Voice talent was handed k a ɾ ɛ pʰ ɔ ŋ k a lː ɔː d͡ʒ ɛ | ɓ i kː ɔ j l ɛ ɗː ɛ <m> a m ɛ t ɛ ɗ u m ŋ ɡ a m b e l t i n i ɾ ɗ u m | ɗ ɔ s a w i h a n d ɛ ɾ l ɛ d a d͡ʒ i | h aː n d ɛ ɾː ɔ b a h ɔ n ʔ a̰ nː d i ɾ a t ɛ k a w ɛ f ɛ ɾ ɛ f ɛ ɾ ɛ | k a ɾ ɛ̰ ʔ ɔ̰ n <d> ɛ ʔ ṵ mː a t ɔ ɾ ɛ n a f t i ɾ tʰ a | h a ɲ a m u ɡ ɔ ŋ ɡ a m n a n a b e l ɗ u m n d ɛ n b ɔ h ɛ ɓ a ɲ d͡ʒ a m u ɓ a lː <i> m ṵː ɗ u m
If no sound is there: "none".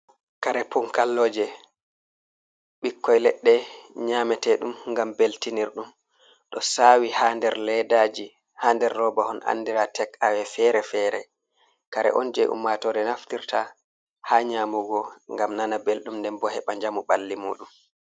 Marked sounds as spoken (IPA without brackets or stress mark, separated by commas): ɲ, d͡ʒ, i